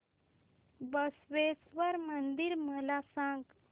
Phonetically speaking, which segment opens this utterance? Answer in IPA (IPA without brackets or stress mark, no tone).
b